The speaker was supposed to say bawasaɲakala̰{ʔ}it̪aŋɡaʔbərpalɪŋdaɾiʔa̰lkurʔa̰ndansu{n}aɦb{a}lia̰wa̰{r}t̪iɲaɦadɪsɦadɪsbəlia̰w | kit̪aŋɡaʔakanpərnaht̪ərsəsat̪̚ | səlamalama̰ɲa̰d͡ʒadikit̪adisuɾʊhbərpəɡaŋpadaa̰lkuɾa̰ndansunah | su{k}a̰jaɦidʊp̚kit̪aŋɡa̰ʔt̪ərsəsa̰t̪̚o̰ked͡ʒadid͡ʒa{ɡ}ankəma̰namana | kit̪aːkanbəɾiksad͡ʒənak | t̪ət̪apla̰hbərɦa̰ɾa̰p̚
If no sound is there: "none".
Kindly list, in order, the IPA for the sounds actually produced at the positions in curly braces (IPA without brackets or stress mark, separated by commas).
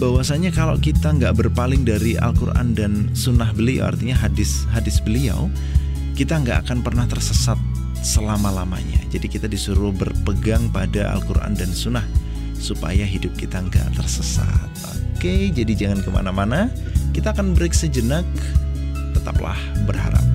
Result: k, n, ə, r, p, ŋ